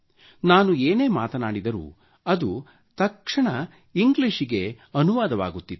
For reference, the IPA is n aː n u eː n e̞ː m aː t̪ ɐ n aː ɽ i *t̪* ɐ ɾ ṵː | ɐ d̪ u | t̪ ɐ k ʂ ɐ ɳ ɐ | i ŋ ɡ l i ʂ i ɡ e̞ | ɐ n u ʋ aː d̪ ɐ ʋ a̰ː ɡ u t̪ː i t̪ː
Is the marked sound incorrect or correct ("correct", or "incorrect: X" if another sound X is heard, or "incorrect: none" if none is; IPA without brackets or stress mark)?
incorrect: d̪